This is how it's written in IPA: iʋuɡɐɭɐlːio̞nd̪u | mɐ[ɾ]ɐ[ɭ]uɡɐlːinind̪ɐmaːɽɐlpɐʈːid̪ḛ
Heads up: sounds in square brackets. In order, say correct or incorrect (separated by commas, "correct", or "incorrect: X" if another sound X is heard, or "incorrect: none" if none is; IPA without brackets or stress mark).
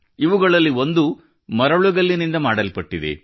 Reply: correct, correct